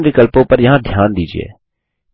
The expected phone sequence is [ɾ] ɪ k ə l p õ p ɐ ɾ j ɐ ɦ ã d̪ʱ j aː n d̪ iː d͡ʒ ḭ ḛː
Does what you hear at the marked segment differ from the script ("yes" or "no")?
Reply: no